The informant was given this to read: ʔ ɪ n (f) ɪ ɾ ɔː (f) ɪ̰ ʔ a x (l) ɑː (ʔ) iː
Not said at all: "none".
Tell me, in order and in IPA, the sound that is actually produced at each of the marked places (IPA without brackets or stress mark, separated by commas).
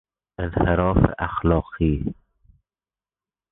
h, f, l, q